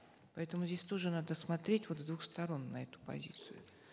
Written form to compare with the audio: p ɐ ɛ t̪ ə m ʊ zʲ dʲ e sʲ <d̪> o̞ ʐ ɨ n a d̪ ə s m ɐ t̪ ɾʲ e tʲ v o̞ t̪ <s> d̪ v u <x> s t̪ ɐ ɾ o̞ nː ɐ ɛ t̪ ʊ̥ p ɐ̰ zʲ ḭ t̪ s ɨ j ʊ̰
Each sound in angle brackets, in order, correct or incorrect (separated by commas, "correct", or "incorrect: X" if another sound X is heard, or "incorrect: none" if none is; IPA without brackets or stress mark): incorrect: t̪, incorrect: z, correct